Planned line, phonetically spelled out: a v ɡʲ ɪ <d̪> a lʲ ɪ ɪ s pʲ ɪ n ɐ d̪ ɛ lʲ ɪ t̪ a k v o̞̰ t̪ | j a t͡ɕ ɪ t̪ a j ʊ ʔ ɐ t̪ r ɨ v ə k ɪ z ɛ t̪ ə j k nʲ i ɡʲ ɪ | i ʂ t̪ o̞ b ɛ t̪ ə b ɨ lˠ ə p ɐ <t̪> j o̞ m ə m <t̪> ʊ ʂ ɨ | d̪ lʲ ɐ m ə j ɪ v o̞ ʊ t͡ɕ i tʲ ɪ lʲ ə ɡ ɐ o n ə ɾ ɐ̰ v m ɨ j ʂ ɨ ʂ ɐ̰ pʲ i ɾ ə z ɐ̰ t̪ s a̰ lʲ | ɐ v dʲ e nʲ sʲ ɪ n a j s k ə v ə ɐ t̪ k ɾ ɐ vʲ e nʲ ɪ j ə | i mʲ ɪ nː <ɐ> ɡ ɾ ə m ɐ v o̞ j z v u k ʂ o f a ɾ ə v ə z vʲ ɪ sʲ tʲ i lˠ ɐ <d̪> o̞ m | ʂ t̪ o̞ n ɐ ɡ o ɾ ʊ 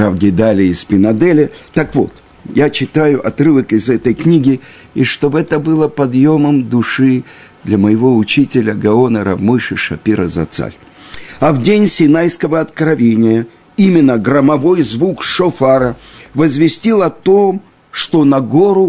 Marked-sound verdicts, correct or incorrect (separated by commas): correct, incorrect, incorrect, incorrect, incorrect